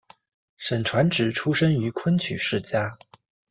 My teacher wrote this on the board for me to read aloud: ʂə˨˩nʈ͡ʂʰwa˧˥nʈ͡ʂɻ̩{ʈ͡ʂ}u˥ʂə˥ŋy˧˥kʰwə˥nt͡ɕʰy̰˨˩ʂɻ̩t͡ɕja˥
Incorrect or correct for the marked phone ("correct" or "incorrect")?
incorrect